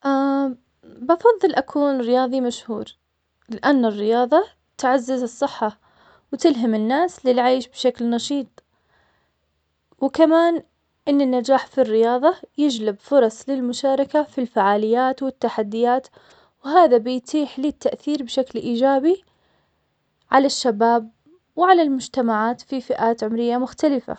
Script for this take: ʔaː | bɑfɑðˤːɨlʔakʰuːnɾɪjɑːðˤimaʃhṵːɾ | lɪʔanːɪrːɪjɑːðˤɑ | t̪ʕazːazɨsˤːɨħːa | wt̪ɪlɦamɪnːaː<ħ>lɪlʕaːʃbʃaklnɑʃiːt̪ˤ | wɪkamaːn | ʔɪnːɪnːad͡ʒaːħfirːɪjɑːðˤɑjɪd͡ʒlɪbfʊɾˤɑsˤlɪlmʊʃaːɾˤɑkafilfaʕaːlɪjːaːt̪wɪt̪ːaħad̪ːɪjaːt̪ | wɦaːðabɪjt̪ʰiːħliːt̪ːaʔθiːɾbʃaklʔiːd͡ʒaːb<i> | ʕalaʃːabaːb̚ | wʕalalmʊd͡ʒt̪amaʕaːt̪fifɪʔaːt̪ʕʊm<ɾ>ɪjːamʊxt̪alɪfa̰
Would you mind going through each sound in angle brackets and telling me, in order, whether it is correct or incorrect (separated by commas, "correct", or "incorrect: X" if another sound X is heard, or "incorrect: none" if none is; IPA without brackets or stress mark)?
incorrect: s, correct, correct